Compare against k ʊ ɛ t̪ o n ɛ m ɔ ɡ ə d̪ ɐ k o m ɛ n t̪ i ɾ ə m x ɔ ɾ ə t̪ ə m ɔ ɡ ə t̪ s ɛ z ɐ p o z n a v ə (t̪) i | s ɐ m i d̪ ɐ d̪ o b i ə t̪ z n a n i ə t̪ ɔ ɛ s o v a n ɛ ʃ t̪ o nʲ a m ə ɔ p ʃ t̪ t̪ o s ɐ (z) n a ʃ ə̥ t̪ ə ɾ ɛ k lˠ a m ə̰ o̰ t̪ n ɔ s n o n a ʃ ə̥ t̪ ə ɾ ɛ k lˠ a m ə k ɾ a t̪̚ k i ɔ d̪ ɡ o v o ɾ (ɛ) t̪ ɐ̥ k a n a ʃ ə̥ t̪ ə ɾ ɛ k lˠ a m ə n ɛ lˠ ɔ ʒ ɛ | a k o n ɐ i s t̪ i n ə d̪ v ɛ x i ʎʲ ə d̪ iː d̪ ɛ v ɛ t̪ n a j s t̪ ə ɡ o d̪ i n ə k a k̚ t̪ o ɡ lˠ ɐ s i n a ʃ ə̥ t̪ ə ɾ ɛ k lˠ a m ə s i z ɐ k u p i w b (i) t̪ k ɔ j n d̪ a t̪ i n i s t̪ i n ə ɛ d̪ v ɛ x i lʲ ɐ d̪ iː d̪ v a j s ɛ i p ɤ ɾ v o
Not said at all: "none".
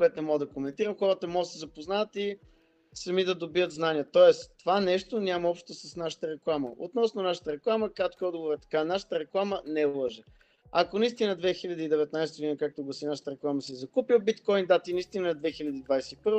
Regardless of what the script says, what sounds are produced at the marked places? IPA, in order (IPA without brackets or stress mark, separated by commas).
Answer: t̪, s, ɛ, i